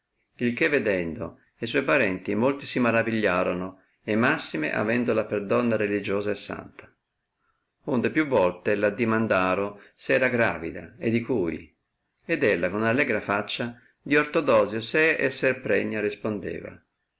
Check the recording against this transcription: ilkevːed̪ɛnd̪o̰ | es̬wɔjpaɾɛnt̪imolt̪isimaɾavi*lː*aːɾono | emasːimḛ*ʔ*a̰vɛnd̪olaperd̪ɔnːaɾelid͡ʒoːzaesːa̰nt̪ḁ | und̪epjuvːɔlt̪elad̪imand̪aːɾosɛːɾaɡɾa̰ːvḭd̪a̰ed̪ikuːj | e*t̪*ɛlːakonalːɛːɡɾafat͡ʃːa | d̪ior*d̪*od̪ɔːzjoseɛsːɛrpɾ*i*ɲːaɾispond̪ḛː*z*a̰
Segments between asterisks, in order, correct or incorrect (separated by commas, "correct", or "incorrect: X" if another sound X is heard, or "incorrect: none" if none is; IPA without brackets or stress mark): incorrect: ʎː, correct, incorrect: d̪, incorrect: t̪, incorrect: ɛ, incorrect: v